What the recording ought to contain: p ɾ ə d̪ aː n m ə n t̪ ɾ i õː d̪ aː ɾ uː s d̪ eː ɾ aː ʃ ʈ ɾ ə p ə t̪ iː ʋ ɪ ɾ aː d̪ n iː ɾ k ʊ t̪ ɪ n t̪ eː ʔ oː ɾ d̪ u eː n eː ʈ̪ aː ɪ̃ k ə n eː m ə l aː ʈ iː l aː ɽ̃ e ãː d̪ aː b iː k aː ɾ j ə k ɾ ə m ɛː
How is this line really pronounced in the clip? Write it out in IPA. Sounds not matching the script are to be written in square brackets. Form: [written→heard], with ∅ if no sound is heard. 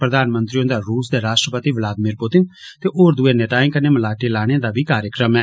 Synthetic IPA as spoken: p ɾ ə d̪ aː n m ə n t̪ ɾ i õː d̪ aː ɾ uː s d̪ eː ɾ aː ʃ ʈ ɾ ə p ə t̪ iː ʋ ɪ [ɾ→l] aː d̪ [n→m] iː ɾ [k→p] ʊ t̪ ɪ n t̪ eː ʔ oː ɾ d̪ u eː n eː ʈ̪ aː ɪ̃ k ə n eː m ə l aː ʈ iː l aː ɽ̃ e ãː d̪ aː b iː k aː ɾ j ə k ɾ ə m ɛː